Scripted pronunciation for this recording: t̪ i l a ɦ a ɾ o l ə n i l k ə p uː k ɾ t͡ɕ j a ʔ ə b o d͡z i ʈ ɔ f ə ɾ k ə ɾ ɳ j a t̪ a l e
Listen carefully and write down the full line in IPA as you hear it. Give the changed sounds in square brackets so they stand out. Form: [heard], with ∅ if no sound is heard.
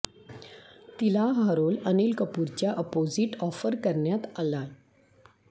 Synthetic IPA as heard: t̪ i l a ɦ a ɾ o l ə n i l k ə p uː [∅] ɾ t͡ɕ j a ʔ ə [p] o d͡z i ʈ ɔ f ə ɾ k ə ɾ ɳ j a t̪ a l [a]

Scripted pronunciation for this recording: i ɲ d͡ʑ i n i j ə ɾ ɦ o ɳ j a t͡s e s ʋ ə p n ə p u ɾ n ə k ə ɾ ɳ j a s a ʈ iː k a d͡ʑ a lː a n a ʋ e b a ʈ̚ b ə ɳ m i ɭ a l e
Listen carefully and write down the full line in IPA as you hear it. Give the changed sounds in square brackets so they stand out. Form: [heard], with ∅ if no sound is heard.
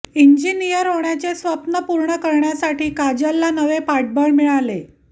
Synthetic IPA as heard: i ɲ d͡ʑ i n i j ə ɾ ɦ o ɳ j a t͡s e s ʋ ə p n ə p u ɾ [ɳ] ə k ə ɾ ɳ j a s a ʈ iː k a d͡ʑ a lː a n [ə] ʋ e [p] a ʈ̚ b ə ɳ m i ɭ a l e

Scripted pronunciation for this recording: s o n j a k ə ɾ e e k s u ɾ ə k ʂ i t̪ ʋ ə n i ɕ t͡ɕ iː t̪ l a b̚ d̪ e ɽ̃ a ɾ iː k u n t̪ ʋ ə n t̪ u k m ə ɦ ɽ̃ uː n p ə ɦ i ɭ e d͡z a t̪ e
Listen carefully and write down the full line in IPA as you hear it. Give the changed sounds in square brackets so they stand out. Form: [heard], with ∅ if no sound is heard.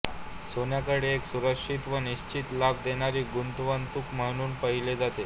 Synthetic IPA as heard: s o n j a k ə [ɽ] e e k s u ɾ ə k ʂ i t̪ ʋ ə n i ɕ t͡ɕ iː t̪ l a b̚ d̪ e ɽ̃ a ɾ iː [ɡ] u n t̪ ʋ ə n t̪ u k m ə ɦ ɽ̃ uː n p ə ɦ i [l] e d͡z a t̪ e

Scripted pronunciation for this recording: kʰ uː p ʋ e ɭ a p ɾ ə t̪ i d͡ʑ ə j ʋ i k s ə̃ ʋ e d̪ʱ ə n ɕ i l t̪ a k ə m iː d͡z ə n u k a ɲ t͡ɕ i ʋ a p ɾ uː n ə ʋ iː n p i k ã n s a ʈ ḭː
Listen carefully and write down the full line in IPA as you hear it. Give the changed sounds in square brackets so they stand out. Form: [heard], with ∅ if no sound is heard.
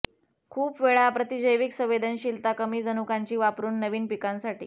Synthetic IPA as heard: kʰ uː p ʋ e ɭ a p ɾ ə t̪ i d͡ʑ ə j ʋ i k s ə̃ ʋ e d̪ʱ ə n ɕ i l t̪ a k ə m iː d͡z ə n u k a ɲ t͡ɕ [iː] ʋ a p ɾ uː [nː] ə ʋ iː n p i k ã n s a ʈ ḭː

